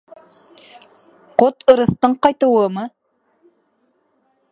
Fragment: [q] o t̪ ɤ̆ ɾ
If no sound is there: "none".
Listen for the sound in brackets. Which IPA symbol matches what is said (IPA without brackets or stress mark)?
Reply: q